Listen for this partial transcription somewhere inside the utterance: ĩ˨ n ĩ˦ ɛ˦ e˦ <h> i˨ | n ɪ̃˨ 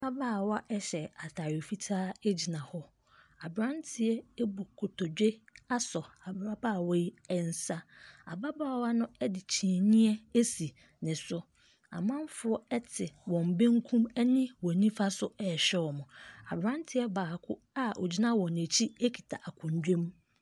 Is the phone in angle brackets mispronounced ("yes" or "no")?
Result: yes